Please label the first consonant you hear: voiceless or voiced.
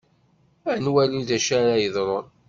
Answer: voiced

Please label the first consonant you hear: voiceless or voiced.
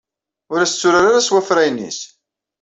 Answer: voiced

